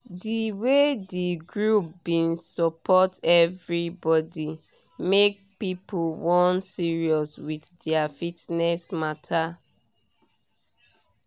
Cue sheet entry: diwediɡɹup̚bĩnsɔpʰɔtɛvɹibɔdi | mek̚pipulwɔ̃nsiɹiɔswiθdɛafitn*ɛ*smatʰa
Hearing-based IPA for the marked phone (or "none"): ɛ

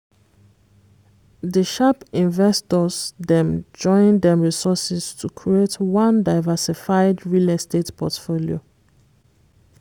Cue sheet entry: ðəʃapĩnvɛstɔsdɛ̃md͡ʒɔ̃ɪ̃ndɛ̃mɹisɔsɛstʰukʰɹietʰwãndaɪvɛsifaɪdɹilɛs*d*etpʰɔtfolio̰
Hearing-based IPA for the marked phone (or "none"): t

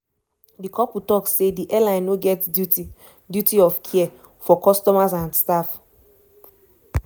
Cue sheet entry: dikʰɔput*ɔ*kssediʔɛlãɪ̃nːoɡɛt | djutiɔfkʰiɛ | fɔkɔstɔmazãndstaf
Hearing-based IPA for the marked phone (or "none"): ɔ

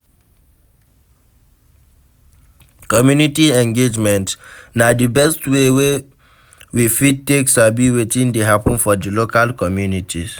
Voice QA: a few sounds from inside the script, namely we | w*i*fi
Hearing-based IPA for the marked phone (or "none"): i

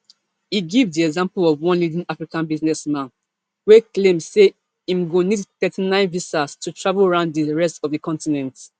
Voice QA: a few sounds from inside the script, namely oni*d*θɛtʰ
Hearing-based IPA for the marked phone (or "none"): d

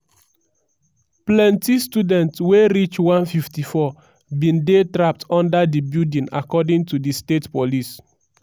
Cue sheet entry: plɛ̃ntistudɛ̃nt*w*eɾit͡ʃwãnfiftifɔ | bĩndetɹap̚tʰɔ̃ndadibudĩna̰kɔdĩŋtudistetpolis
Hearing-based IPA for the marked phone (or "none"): w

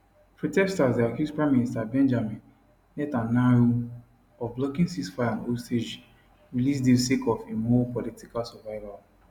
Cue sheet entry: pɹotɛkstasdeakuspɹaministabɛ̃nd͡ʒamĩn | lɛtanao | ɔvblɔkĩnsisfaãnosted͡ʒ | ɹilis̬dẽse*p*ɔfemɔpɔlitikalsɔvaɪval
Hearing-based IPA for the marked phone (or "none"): k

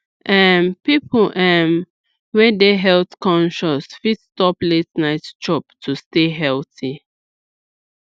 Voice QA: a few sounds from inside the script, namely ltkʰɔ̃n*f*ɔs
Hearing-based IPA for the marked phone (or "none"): ʃ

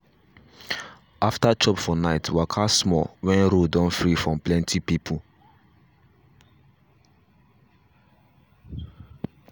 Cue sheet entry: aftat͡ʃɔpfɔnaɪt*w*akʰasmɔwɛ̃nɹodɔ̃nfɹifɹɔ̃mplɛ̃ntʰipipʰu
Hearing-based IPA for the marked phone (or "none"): w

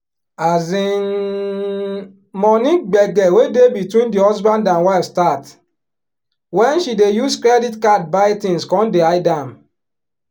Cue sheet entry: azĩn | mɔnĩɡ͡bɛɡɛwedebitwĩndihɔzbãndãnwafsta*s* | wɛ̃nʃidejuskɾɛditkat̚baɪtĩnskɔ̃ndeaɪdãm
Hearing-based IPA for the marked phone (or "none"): t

